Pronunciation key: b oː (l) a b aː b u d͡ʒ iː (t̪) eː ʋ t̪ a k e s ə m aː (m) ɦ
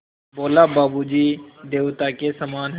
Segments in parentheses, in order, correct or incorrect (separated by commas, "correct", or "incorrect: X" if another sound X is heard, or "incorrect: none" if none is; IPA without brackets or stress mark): correct, incorrect: d̪, incorrect: n